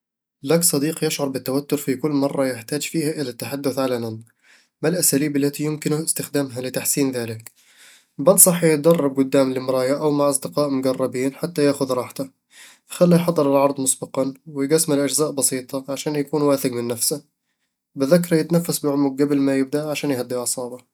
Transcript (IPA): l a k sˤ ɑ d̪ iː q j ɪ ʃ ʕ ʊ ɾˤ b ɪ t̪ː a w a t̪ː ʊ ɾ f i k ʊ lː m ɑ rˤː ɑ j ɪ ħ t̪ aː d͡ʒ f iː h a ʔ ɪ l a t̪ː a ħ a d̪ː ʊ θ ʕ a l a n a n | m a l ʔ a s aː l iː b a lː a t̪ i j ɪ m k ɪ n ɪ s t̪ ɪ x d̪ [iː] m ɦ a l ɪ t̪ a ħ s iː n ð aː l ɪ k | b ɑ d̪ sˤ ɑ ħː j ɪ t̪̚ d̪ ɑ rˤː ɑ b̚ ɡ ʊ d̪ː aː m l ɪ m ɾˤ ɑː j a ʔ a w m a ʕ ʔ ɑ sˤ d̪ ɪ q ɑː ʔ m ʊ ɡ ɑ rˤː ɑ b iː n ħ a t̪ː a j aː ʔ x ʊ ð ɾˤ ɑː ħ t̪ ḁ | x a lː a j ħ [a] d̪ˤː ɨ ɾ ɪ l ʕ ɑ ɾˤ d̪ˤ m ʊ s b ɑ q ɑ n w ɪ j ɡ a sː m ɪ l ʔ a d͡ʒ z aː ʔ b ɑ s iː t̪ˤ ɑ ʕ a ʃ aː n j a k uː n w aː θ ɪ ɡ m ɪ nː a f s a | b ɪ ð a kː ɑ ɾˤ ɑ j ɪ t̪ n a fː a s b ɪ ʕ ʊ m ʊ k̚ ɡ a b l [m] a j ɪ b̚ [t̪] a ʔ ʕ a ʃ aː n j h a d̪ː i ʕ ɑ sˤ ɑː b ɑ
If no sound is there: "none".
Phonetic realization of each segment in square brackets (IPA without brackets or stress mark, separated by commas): aː, ɑ, m, d̪